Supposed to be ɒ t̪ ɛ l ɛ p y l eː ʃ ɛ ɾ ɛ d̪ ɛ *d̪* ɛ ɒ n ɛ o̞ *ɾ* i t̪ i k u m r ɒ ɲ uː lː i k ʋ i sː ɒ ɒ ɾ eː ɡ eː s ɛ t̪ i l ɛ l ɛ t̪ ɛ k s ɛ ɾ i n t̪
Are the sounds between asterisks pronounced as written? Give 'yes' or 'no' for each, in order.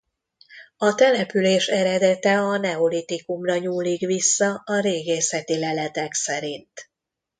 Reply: no, no

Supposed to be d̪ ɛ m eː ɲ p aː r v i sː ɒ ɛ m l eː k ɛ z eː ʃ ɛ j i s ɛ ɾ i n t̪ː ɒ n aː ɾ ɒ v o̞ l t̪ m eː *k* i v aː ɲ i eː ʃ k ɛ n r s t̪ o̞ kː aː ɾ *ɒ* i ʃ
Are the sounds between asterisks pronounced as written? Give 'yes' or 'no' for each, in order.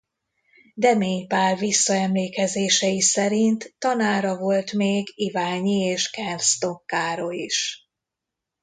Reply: no, no

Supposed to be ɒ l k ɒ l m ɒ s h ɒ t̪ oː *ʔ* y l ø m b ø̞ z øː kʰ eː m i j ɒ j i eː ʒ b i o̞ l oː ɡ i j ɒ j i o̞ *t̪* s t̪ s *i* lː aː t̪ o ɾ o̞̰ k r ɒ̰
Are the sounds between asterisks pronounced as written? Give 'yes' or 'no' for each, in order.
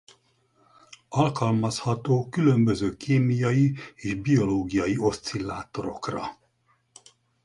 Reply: no, no, yes

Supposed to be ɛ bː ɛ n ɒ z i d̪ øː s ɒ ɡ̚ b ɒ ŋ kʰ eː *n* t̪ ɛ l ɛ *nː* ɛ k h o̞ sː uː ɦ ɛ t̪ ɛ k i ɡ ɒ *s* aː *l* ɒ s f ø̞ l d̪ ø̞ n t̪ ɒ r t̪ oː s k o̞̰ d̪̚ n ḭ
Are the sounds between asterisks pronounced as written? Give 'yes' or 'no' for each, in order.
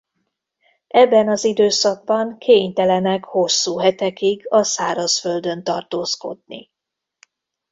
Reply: no, no, yes, no

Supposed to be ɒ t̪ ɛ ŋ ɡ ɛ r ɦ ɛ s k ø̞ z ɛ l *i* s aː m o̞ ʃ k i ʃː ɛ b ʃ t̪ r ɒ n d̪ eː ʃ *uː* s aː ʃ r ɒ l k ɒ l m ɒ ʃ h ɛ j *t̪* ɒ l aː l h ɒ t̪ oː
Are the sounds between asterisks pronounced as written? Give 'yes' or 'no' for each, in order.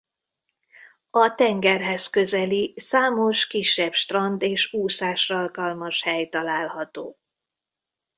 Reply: yes, yes, yes

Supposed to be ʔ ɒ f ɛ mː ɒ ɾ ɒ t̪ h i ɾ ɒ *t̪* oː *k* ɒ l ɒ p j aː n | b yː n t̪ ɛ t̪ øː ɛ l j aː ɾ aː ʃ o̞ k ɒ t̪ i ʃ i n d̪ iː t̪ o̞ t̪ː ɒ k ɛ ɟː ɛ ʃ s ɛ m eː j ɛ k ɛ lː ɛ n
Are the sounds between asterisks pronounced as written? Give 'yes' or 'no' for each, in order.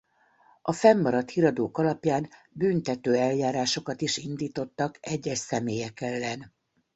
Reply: no, yes

